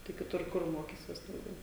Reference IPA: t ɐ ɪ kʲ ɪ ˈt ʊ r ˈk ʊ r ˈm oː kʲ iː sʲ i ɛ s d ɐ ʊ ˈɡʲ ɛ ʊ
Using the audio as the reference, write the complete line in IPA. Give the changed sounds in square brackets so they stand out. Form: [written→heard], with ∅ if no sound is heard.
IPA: t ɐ ɪ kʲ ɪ ˈt ʊ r ˈk ʊ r ˈm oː kʲ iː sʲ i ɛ s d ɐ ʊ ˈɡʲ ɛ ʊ